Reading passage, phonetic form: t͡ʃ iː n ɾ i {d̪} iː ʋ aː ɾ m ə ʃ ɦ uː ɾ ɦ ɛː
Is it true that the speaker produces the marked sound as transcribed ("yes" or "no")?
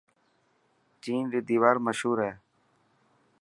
yes